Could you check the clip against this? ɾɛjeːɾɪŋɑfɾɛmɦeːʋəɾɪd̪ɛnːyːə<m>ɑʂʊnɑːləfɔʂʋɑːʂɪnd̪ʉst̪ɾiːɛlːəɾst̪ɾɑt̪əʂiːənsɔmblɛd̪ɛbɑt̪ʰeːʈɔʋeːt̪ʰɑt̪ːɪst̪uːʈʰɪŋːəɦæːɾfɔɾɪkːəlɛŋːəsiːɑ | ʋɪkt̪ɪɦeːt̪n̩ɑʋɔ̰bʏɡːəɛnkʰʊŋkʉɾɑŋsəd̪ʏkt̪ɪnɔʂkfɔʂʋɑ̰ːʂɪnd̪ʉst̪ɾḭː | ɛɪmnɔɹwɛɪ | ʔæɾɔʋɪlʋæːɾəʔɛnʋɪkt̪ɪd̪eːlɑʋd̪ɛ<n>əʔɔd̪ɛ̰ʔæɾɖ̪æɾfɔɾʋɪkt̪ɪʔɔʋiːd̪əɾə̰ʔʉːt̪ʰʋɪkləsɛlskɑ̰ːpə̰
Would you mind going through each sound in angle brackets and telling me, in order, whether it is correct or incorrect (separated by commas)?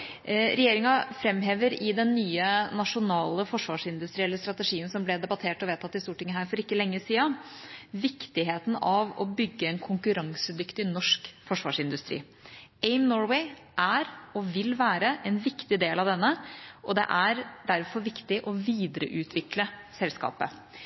incorrect, incorrect